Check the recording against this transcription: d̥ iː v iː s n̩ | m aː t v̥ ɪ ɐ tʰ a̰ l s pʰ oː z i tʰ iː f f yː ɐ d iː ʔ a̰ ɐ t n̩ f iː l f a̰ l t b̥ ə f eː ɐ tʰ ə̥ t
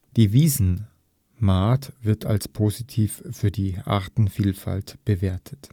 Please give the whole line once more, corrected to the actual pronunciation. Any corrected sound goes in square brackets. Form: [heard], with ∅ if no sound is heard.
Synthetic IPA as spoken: d̥ iː v iː [z] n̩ | m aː t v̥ ɪ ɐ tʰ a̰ l s pʰ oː z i tʰ iː f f yː ɐ d iː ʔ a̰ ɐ t n̩ f iː l f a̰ l t b̥ ə [v] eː ɐ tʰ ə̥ t

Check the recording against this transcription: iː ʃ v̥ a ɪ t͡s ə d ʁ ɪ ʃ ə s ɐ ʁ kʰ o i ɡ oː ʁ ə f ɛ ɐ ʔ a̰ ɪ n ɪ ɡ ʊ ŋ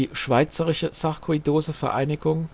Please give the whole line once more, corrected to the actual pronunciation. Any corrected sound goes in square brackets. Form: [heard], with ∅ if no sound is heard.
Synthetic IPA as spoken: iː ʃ v̥ a ɪ t͡s ə [∅] ʁ ɪ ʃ ə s [a] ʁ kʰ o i [d] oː [z] ə f ɛ ɐ ʔ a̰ ɪ n ɪ ɡ ʊ ŋ

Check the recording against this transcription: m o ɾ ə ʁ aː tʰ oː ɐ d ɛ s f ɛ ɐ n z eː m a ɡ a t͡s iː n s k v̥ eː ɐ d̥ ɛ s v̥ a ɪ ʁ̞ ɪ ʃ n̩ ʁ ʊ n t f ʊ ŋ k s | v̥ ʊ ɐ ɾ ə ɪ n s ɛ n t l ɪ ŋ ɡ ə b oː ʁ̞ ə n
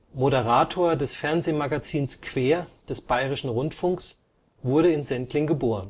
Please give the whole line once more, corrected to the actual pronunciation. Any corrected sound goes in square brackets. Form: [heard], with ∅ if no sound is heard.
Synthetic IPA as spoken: m o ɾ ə ʁ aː tʰ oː ɐ d ɛ s f ɛ ɐ n z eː m a ɡ a t͡s iː n s k v̥ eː ɐ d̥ ɛ s [b̥] a ɪ ʁ̞ ɪ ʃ n̩ ʁ ʊ n t f ʊ ŋ k s | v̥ ʊ ɐ ɾ ə ɪ n [z] ɛ n t l ɪ ŋ ɡ ə b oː ʁ̞ ə n

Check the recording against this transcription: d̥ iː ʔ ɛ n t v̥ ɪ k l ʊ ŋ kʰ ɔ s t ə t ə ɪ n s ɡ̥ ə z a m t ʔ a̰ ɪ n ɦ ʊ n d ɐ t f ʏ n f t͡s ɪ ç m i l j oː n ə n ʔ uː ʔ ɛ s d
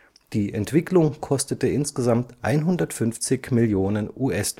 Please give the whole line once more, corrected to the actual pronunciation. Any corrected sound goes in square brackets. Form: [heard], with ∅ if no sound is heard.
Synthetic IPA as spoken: d̥ iː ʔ ɛ n t v̥ ɪ k l ʊ ŋ kʰ ɔ s t ə t ə ɪ n s ɡ̥ ə z a m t ʔ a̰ ɪ n ɦ ʊ n d ɐ t f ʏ n f t͡s ɪ ç m [ɪ] l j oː n ə n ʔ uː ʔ ɛ s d

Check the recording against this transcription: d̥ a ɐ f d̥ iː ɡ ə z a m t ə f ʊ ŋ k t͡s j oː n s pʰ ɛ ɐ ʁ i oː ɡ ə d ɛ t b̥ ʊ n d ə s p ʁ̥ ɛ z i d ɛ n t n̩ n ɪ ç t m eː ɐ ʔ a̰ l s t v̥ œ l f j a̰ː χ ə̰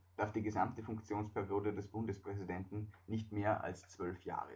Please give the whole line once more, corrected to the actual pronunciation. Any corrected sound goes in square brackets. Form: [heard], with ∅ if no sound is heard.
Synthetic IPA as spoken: d̥ a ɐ f d̥ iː ɡ ə z a m t ə f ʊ ŋ k t͡s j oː n s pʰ ɛ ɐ ʁ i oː [d] ə d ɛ [s] b̥ ʊ n d ə s p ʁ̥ ɛ z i d ɛ n t n̩ n ɪ ç t m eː ɐ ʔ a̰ l s [t͡s] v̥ œ l f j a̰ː [ʁ] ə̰

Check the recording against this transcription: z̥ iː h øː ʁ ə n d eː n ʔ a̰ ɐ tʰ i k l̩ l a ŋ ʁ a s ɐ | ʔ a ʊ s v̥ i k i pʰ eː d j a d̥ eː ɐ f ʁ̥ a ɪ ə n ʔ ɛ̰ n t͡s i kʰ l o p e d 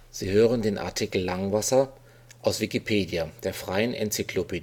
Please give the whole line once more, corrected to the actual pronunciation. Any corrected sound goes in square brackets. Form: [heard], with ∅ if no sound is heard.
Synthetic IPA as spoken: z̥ iː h øː ʁ ə n d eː n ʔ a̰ ɐ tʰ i k l̩ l a ŋ [v] a s ɐ | ʔ a ʊ s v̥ i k i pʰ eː d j a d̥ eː ɐ f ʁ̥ a ɪ ə n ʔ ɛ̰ n t͡s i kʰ l o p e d

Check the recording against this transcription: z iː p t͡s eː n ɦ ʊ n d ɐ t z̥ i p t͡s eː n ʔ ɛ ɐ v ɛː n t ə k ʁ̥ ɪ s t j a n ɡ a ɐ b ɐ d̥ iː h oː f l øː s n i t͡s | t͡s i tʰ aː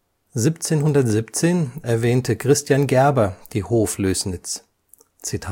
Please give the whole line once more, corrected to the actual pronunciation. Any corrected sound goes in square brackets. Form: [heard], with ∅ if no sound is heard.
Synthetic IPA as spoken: z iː p t͡s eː n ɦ ʊ n d ɐ t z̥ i p t͡s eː n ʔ ɛ ɐ v ɛː n t ə k ʁ̥ ɪ s t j a n ɡ [ɛ] ɐ b ɐ d̥ iː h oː f l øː s n [ɪ] t͡s | t͡s i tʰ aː

